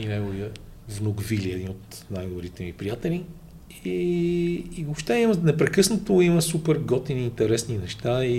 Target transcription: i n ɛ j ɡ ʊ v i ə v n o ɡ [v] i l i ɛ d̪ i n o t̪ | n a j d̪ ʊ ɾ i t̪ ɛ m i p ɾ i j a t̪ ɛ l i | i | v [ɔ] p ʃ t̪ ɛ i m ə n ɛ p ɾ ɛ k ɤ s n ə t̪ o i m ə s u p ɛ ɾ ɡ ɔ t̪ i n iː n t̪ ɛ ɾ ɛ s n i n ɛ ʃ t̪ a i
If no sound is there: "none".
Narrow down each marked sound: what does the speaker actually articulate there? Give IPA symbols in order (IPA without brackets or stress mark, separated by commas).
v, o